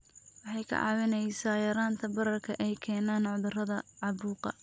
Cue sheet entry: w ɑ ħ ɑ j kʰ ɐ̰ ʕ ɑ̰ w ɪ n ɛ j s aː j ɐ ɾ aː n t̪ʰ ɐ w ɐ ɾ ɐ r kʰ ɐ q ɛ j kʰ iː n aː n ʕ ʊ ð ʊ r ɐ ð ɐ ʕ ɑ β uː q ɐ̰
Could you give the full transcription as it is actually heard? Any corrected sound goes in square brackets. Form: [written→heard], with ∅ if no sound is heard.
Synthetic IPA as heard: w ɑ ħ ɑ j kʰ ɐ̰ ʕ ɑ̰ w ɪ n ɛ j s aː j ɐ ɾ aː n t̪ʰ ɐ [w→b] ɐ ɾ ɐ r kʰ ɐ [q→ʔ] ɛ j kʰ [iː→ɛː] n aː n ʕ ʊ ð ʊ r ɐ ð ɐ ʕ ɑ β uː q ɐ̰